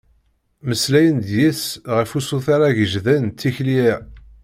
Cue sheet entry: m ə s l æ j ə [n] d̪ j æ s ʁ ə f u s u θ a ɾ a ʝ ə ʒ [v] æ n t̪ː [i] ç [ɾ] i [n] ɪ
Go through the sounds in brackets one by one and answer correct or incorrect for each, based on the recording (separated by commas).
correct, incorrect, correct, incorrect, incorrect